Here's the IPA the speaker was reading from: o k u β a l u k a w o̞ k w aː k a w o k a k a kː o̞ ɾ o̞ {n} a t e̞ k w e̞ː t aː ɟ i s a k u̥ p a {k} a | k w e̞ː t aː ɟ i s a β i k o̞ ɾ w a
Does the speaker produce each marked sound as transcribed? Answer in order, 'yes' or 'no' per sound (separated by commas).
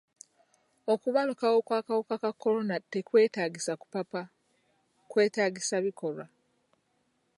yes, no